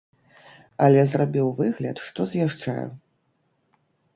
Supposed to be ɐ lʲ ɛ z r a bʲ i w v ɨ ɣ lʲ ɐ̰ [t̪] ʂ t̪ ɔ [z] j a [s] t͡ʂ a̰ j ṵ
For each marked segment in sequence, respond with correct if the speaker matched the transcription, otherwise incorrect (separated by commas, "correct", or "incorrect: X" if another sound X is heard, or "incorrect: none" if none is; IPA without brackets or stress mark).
correct, correct, incorrect: ʂ